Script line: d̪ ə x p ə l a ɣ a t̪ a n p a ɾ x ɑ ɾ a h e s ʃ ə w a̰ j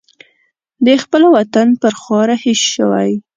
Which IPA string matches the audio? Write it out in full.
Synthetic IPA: d̪ ə x p ə l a w a t̪ a n p ə ɾ x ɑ ɾ a h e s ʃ ə w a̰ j